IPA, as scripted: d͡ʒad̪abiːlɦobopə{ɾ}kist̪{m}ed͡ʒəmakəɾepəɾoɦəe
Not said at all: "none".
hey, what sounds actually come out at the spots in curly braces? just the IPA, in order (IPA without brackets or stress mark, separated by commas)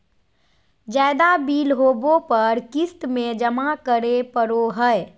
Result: ɾ, m